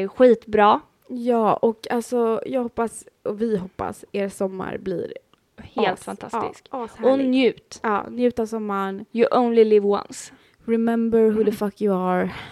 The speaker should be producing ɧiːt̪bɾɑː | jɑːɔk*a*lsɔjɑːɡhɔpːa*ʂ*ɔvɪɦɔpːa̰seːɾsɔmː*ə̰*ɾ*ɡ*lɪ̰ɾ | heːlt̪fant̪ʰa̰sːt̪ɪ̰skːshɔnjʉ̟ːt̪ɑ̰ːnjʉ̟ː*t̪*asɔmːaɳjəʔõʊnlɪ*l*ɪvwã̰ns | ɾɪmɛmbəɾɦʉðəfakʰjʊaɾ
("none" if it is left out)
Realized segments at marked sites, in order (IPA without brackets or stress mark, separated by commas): a, s, a̰, b, t̪, l